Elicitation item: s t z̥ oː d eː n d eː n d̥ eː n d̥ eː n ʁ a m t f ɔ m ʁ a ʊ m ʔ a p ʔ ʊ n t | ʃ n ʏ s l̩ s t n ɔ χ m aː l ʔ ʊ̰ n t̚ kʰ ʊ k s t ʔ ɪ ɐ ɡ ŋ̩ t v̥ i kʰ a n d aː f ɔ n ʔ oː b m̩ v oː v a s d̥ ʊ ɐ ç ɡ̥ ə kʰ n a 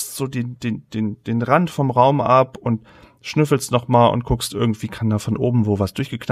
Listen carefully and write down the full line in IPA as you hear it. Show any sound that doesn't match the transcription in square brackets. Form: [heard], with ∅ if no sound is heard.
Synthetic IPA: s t z̥ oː d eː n d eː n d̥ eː n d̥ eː n ʁ a [n] t f ɔ m ʁ a ʊ m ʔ a p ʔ ʊ n t | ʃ n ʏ [f] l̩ s t n ɔ χ m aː l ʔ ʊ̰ n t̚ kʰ ʊ k s t ʔ ɪ ɐ ɡ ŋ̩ t v̥ [iː] kʰ a n d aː f ɔ n ʔ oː b m̩ v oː v a s d̥ ʊ ɐ ç ɡ̥ ə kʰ n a